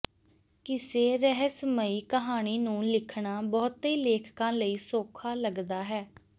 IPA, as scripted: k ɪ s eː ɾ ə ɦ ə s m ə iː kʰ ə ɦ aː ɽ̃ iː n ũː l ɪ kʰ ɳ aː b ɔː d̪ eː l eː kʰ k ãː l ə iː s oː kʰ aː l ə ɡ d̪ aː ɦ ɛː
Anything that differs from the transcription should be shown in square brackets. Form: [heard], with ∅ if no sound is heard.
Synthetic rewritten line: k ɪ s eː ɾ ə ɦ ə s m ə iː [k] ə ɦ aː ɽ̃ iː n ũː l ɪ kʰ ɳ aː b ɔː [t̪] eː l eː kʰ k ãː l ə iː s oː kʰ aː l ə ɡ d̪ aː ɦ ɛː